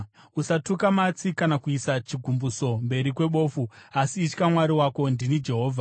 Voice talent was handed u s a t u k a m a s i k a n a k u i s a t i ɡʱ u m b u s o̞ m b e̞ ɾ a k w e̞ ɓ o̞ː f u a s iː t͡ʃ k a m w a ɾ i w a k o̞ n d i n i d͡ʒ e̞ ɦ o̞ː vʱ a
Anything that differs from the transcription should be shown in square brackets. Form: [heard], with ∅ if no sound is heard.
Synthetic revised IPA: u s a t u k a m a [t͡s] i k a n a k u i s a [t͡ʃ] i ɡʱ u m b u s o̞ m b e̞ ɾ [i] k w e̞ ɓ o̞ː f u a s iː t͡ʃ k a m w a ɾ i w a k o̞ n d i n i d͡ʒ e̞ ɦ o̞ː vʱ a